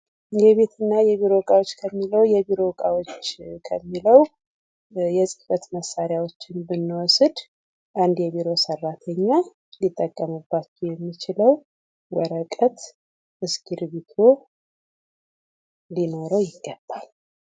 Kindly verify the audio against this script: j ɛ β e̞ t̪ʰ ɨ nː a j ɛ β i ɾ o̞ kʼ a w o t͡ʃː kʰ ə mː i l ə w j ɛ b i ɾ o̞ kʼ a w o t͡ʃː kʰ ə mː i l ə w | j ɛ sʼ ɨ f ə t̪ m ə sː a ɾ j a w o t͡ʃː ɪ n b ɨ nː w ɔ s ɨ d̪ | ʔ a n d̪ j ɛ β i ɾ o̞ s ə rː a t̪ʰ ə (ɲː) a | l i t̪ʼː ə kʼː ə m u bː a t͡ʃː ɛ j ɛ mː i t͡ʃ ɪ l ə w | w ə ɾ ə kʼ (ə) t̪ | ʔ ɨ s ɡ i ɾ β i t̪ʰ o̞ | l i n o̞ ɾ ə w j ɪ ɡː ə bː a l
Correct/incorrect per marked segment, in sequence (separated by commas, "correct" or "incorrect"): correct, correct